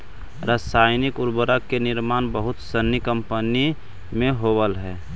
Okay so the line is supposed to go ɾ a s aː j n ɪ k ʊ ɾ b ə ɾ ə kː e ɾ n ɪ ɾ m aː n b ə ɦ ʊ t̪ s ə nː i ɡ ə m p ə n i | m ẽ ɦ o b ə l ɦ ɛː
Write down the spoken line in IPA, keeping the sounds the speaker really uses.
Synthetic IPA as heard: ɾ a s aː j n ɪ k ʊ ɾ b ə ɾ ə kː e n ɪ ɾ m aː n b ə ɦ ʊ t̪ s ə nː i k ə m p ə n i | m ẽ ɦ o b ə l ɦ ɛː